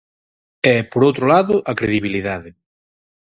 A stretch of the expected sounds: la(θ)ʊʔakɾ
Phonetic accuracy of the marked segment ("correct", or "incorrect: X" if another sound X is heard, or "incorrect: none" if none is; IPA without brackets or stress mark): incorrect: ð